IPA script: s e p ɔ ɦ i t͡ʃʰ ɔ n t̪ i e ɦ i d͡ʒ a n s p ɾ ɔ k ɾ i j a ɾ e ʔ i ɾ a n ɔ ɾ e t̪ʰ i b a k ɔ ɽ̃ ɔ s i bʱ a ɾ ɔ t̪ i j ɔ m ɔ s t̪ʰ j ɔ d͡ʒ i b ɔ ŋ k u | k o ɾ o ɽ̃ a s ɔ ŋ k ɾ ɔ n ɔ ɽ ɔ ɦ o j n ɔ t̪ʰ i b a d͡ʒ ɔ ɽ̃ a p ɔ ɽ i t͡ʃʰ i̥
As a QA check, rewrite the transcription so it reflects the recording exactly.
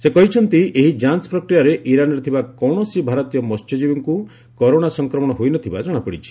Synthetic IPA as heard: s e k ɔ ɦ i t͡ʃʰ ɔ n t̪ i e ɦ i d͡ʒ a n s p ɾ ɔ k ɾ i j a ɾ e ʔ i ɾ a n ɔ ɾ e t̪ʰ i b a k ɔ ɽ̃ ɔ s i bʱ a ɾ ɔ t̪ i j ɔ m ɔ s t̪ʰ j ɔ d͡ʒ i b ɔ ŋ k u | k ɔ ɾ o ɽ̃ a s ɔ ŋ k ɾ ɔ m ɔ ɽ ɔ ɦ o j n ɔ t̪ʰ i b a d͡ʒ ɔ ɽ̃ a p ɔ ɽ i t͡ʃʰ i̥